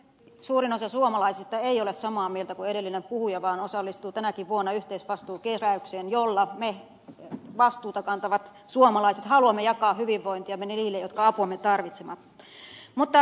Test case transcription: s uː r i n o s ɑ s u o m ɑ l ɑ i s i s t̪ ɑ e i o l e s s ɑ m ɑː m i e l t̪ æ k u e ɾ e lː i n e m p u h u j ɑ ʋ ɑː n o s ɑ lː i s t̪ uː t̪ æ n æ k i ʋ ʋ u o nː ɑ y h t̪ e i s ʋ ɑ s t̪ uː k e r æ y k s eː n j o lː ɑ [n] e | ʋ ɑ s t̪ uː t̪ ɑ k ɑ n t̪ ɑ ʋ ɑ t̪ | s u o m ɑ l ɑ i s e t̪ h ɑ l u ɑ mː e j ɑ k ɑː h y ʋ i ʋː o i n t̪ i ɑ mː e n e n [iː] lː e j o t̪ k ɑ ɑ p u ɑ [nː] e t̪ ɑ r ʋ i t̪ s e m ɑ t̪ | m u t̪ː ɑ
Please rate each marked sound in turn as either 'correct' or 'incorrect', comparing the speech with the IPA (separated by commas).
incorrect, correct, incorrect